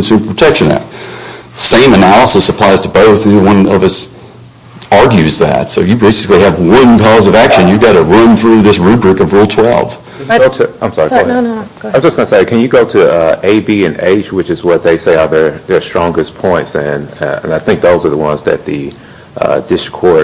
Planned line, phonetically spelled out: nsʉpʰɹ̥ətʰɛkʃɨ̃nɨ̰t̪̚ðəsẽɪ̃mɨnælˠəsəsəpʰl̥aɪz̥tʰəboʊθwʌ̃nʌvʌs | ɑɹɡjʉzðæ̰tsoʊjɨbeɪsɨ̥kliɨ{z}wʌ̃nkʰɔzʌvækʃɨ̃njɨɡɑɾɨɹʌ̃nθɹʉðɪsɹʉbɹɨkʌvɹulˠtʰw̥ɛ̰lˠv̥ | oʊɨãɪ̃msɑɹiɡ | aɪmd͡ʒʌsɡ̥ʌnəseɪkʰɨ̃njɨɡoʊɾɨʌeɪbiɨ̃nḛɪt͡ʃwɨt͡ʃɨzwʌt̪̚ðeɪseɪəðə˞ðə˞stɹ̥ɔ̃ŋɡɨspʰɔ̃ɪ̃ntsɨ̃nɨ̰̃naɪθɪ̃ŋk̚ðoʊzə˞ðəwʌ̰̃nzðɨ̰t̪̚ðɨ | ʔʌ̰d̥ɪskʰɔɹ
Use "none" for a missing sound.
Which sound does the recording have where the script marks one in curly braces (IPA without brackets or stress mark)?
v